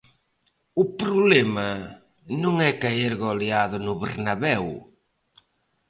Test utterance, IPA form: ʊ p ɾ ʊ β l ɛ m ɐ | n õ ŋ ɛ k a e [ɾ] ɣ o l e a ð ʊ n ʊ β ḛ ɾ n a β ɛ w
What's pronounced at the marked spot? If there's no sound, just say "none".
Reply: ɾ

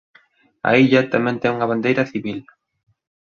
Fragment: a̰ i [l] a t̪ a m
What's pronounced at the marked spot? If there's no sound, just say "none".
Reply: ʎ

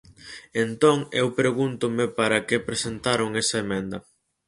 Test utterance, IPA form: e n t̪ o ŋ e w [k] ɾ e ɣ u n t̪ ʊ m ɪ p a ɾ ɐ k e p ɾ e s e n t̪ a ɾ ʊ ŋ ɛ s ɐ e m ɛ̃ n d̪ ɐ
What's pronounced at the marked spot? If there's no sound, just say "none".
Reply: p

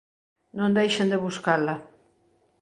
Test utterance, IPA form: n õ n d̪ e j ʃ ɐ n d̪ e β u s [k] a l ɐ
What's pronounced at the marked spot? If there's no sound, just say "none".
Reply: k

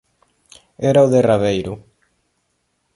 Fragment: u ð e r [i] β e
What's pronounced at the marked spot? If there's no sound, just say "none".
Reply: a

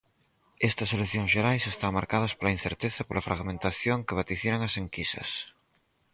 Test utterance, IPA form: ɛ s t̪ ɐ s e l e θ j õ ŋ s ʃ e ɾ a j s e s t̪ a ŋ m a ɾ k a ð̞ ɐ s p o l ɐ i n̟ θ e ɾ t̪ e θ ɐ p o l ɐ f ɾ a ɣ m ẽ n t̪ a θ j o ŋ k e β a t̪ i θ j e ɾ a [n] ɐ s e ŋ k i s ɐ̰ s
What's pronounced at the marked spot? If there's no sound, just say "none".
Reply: ŋ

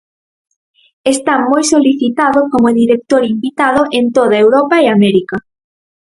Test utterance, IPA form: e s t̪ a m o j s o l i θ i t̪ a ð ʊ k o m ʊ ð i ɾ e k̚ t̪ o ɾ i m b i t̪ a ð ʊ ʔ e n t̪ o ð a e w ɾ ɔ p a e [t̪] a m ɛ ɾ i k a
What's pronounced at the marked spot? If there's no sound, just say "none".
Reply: none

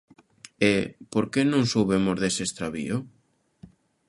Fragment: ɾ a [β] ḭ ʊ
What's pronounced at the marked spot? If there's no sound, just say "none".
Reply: β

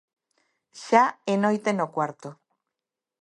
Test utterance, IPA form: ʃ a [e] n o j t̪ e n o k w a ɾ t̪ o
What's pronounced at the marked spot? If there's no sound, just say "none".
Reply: e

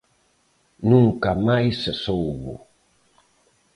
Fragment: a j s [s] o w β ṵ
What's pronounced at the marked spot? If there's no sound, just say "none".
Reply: s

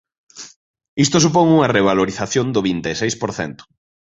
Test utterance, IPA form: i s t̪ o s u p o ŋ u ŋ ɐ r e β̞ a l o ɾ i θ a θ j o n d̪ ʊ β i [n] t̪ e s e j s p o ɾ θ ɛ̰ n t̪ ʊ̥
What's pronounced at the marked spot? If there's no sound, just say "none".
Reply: n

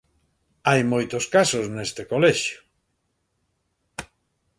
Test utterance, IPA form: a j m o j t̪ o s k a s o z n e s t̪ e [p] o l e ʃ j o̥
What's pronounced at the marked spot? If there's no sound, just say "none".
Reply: k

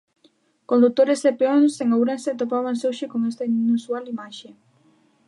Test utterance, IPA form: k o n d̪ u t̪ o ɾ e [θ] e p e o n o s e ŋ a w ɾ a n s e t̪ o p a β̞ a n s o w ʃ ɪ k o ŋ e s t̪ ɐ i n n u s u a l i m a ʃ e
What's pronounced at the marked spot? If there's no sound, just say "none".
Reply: s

